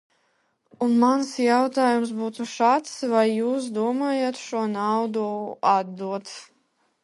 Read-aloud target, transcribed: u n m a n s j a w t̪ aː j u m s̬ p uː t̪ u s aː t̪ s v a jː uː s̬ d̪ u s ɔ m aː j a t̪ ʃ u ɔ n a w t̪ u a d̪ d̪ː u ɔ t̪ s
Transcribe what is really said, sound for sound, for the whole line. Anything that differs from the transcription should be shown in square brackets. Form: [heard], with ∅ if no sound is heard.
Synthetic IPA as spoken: u n m a n s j a w t̪ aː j u m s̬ [b] uː t̪ u [ʃ] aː t̪ s v a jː uː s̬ d̪ u [∅] ɔ m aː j a t̪ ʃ u ɔ n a w [d̪] u a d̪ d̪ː u ɔ t̪ s